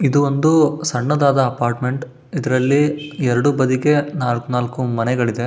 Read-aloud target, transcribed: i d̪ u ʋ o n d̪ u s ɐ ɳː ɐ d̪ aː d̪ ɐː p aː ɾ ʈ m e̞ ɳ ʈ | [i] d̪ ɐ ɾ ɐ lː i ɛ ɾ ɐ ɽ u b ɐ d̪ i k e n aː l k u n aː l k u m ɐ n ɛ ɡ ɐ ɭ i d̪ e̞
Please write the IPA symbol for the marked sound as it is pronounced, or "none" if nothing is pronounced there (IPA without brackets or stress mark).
i